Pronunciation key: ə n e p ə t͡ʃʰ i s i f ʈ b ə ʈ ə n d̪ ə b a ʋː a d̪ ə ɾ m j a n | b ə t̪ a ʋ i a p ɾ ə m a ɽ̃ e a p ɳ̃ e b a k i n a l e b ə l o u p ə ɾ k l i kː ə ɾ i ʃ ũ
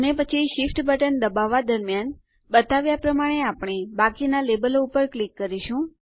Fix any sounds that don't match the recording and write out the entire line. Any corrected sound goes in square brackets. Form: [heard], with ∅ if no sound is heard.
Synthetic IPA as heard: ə n e p ə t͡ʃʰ i [ʃ] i f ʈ b ə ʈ ə n d̪ ə b a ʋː a d̪ ə ɾ m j a n | b ə t̪ a ʋ [j] a p ɾ ə m a ɽ̃ e a p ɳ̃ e b a k i n a l e b ə l o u p ə ɾ k l i kː ə ɾ i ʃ ũ